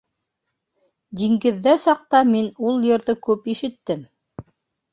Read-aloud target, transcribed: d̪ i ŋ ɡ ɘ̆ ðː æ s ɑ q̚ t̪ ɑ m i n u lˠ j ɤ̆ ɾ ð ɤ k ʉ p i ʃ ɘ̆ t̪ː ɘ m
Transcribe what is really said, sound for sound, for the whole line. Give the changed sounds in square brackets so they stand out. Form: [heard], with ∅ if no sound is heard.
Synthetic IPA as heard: d̪ i ŋ ɡ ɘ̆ ðː æ s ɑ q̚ t̪ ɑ m i n u lˠ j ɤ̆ ɾ ð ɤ k ʉ p i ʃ ɘ̆ t̪ː ɘ m

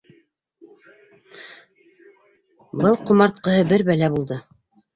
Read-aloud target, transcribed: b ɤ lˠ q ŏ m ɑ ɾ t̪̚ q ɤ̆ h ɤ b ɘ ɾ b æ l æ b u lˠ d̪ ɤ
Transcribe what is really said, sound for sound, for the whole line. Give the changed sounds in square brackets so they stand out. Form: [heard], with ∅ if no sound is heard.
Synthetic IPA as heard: b ɤ lˠ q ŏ m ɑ ɾ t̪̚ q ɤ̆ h ɤ b ɘ ɾ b æ l æ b u lˠ d̪ ɤ

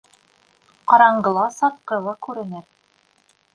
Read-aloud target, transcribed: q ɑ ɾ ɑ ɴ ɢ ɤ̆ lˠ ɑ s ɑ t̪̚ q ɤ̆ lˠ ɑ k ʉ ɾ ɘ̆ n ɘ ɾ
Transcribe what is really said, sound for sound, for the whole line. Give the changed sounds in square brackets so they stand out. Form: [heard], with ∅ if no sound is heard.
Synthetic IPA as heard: q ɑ ɾ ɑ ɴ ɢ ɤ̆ lˠ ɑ s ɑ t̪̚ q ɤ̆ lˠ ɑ k ʉ ɾ ɘ̆ n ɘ ɾ

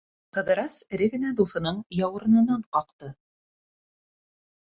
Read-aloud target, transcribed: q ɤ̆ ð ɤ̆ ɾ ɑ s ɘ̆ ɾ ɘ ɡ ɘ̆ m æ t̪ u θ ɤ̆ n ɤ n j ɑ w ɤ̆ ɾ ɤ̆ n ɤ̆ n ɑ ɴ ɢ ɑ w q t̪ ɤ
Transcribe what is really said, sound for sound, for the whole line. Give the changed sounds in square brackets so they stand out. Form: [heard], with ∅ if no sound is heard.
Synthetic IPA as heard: q ɤ̆ ð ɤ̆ ɾ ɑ s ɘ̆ ɾ ɘ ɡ ɘ̆ [n] æ [d̪] u θ ɤ̆ n ɤ [ɴ] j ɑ w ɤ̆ ɾ ɤ̆ n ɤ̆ n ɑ ɴ [q] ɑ [∅] q t̪ ɤ

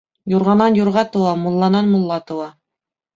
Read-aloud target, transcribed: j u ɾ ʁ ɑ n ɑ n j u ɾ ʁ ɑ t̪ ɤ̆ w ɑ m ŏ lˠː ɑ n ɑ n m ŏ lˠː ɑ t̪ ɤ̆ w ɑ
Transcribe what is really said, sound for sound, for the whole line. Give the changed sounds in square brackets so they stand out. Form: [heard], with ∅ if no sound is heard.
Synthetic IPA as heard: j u ɾ ʁ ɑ n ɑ n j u ɾ ʁ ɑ t̪ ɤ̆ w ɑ m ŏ lˠː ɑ n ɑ n m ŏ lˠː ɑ t̪ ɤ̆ w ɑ

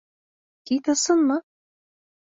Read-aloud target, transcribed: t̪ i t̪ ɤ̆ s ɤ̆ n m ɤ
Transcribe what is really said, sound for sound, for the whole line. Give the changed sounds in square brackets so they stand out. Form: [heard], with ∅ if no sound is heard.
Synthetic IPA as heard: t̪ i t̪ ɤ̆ s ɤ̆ n m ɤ

